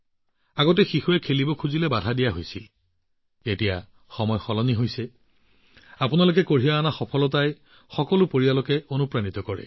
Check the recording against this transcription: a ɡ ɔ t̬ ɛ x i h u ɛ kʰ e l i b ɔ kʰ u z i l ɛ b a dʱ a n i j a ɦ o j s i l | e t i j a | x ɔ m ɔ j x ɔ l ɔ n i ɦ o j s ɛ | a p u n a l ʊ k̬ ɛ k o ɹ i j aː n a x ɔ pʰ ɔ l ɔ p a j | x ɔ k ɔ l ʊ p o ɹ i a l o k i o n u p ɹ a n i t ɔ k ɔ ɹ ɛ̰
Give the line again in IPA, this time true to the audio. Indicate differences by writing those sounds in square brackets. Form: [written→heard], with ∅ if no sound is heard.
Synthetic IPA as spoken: a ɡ ɔ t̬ ɛ x i [h→x] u ɛ kʰ e l i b ɔ kʰ u z i l ɛ b a dʱ a [n→d] i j a ɦ o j s i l | e t i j a | x ɔ m ɔ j x ɔ l ɔ n i ɦ o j s ɛ | a p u n a l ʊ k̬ ɛ k o ɹ i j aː n a x ɔ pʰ ɔ l ɔ [p→t] a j | x ɔ k ɔ l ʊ p o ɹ i a l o k [i→ɛ] o n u p ɹ a n i t ɔ k ɔ ɹ ɛ̰